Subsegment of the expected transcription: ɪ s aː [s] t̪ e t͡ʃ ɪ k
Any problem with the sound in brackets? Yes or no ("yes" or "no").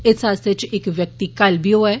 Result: no